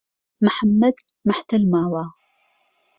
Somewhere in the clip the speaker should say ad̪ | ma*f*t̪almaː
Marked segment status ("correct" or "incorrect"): incorrect